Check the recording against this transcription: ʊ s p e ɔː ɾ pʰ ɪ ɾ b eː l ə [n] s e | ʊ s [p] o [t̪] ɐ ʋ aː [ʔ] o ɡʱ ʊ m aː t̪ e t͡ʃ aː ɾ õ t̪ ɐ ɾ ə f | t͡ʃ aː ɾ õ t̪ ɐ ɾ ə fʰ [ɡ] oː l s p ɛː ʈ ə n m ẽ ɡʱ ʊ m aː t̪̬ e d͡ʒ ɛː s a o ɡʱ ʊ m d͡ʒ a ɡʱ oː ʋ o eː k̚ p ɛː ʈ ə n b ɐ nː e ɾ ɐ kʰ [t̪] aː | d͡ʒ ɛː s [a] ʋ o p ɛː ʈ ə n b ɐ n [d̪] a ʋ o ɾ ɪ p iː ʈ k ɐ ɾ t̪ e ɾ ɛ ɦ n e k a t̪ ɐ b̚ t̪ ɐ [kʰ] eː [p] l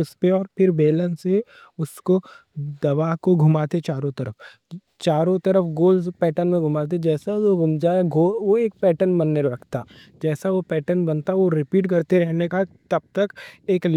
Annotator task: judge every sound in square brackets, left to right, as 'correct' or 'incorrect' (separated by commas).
correct, incorrect, incorrect, incorrect, correct, correct, correct, incorrect, incorrect, incorrect